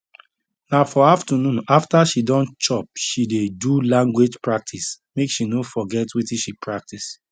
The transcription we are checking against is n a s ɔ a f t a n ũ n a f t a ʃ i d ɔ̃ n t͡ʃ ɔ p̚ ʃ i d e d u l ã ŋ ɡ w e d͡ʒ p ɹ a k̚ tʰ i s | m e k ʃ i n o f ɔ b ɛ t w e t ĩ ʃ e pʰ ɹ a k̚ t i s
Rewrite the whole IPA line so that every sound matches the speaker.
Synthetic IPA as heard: n a f ɔ a f t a n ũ n a f t a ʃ i d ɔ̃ n t͡ʃ ɔ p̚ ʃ i d e d u l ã ŋ ɡ w e d͡ʒ p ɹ a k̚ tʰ i s | m e k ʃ i n o f ɔ ɡ ɛ t w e t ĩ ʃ i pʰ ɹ a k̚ t i s